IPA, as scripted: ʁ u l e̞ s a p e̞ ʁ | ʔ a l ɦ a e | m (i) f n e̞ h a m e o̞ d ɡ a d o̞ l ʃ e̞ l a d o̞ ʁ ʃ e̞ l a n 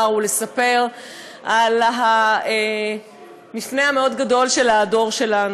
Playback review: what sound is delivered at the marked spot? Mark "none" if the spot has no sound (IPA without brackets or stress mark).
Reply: i